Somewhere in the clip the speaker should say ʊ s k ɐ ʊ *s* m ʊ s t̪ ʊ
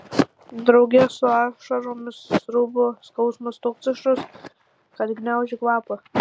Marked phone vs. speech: correct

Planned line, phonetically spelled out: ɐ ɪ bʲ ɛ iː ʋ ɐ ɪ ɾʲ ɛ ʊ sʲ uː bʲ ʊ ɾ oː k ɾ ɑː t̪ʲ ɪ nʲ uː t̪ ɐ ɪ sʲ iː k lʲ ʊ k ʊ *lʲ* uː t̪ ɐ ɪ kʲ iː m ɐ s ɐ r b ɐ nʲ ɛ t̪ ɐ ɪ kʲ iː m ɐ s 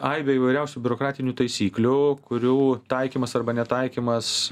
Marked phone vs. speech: incorrect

